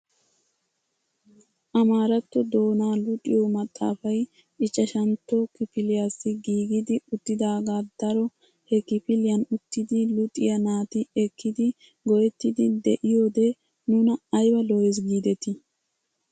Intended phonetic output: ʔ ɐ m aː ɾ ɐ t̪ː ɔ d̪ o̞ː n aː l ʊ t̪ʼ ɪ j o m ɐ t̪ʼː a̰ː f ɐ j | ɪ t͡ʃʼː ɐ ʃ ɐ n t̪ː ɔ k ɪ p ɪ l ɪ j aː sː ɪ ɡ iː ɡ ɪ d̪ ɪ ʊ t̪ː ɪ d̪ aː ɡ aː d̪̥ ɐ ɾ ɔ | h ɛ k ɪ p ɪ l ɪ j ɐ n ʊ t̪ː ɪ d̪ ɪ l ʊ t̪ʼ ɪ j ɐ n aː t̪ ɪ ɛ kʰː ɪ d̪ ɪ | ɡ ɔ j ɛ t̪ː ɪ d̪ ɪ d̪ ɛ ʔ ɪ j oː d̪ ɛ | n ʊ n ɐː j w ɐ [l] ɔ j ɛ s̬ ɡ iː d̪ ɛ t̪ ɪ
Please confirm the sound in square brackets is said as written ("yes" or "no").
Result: yes